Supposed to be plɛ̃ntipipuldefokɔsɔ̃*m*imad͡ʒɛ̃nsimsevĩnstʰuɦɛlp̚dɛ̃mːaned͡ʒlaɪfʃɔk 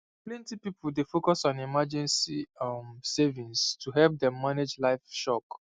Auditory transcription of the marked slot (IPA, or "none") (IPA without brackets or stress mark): n